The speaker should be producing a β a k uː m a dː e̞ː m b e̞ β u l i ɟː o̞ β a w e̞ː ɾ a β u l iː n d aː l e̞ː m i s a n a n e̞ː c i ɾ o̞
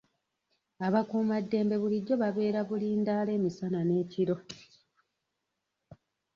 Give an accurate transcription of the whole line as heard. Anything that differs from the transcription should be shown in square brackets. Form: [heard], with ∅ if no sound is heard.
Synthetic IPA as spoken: a β a k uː m a dː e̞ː m b e̞ β u l i ɟː o̞ β a [β] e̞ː ɾ a β u l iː n d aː l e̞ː m i s a n a n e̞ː c i ɾ o̞